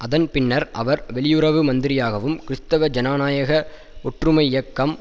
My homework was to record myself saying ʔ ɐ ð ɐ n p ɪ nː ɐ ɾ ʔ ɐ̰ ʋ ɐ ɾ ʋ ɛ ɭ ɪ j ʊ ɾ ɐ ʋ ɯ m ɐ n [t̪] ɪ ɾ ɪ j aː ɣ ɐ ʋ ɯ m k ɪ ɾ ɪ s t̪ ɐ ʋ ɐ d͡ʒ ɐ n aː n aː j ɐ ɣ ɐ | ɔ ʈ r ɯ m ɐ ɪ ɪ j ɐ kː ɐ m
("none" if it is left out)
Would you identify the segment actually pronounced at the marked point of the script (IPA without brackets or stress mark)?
d̪